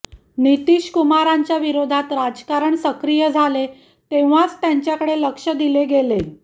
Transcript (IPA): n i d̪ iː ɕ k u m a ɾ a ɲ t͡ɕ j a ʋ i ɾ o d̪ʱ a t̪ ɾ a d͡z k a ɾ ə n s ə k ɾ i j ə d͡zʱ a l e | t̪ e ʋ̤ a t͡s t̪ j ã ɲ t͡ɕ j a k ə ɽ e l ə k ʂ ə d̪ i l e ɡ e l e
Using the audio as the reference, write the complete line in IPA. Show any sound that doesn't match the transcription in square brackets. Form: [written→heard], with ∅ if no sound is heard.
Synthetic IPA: n i [d̪→t̪] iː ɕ k u m a ɾ a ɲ t͡ɕ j a ʋ i ɾ o d̪ʱ a t̪ ɾ a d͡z k a ɾ ə [n→ɳ] s ə k ɾ i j ə d͡zʱ a l e | t̪ e ʋ̤ a t͡s t̪ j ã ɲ t͡ɕ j a k ə ɽ e l ə k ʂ ə d̪ i l e ɡ e l e